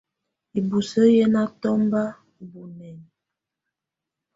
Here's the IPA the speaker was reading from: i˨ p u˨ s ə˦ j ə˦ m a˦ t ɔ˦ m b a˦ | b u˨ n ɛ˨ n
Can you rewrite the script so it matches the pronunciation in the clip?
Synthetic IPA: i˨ b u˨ s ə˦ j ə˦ n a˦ t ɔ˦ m b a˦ | b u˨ n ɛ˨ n

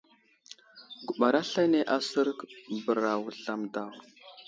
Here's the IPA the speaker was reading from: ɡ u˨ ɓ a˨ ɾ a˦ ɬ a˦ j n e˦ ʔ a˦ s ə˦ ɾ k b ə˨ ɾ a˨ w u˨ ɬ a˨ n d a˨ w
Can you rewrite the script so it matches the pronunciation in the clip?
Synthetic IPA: ɡ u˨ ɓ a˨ ɾ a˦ ɬ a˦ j n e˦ ʔ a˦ s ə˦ ɾ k b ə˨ ɾ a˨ w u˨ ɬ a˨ m d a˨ w

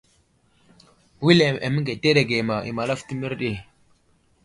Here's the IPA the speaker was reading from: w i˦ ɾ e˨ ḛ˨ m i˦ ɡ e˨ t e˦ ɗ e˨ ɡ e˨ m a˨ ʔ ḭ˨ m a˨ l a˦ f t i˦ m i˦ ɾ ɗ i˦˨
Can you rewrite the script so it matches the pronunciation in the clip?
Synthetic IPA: w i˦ l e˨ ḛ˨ m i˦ ɡ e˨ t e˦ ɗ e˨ ɡ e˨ m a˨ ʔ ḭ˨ m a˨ l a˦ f t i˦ m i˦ ɾ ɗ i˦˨

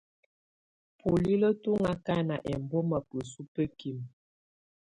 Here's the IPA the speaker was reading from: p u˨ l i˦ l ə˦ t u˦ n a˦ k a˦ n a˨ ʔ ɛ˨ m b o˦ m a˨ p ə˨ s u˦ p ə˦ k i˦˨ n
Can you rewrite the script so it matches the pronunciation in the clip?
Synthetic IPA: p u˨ l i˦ l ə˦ t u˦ ŋ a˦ k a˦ n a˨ ʔ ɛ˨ m b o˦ m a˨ p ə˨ s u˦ p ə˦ k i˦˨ m

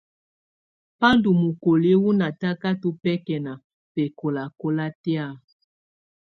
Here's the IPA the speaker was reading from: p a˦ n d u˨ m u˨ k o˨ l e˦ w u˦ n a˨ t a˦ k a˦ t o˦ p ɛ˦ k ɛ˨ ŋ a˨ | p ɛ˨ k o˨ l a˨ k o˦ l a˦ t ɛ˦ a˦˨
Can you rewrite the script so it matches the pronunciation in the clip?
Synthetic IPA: p a˦ n d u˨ m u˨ k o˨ l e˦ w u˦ n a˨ t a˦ k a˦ t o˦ p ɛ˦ k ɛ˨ n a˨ | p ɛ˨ k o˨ l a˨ k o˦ l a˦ t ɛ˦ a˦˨

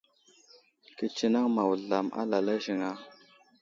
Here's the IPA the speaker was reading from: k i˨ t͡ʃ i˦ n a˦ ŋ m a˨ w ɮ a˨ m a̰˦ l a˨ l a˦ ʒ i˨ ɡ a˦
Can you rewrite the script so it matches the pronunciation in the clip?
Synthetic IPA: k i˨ t͡ʃ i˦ n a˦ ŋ m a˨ w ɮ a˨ m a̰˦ l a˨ l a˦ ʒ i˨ ŋ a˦

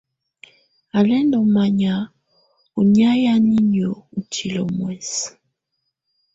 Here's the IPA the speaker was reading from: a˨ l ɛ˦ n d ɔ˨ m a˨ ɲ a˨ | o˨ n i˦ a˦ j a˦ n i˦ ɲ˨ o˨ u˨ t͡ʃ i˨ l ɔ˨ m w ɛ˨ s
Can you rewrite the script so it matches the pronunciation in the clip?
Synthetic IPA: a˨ l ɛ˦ n d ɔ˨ m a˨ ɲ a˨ | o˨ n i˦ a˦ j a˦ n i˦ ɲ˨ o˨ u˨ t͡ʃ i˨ l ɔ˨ m w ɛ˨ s

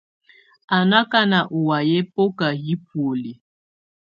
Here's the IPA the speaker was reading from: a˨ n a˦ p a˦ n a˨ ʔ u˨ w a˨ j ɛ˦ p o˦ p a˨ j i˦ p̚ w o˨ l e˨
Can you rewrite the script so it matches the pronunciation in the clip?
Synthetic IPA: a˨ n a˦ k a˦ n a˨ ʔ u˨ w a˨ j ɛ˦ p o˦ k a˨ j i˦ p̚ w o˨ l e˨

